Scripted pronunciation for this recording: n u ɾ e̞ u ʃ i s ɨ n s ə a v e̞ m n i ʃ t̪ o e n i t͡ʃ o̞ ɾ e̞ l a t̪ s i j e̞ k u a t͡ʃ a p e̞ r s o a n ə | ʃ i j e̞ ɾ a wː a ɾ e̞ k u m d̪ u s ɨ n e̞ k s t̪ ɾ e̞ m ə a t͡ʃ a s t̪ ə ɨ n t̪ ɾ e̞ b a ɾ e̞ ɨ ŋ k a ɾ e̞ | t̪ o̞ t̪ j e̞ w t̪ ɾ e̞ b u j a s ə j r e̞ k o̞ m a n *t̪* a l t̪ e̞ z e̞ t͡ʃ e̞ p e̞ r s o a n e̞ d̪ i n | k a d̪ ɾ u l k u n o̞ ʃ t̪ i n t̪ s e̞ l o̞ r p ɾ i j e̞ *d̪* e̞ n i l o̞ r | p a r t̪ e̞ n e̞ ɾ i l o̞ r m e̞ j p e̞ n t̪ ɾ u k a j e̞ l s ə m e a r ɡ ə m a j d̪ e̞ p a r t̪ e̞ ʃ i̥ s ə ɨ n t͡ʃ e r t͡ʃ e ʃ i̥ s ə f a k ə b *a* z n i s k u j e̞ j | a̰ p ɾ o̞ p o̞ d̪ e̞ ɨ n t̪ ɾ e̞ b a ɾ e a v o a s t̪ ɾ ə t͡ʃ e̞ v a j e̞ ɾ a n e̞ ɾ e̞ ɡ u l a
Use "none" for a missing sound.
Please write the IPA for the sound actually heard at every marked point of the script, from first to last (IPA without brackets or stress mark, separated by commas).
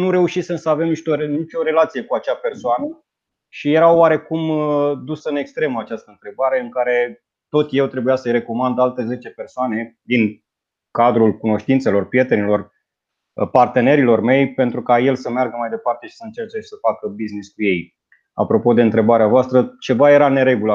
d̪, t̪, i